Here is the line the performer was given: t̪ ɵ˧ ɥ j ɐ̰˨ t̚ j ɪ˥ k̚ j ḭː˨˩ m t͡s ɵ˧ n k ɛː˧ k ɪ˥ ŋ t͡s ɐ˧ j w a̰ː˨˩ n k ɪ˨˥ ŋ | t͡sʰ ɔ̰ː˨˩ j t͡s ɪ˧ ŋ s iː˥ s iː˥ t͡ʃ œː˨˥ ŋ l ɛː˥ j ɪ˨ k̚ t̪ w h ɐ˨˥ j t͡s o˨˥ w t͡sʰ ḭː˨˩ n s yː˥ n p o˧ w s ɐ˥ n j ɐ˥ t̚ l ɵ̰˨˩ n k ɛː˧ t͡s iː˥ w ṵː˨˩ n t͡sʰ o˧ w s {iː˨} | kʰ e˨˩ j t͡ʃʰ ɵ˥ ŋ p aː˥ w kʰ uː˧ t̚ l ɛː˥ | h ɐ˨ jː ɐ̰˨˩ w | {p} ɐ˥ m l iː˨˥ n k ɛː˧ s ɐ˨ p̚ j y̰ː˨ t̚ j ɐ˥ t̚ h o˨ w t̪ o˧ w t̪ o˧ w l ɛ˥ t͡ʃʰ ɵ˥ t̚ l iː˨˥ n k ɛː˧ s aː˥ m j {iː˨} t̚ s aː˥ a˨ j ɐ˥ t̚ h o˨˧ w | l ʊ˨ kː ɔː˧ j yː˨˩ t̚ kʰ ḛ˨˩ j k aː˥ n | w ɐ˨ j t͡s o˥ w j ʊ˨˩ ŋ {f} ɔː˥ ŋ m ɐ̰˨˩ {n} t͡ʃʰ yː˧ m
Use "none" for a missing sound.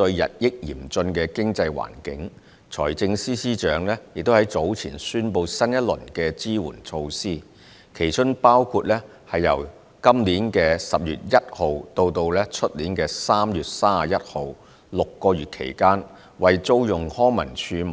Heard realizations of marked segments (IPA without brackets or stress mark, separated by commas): iː˥, k, yː˨, h, n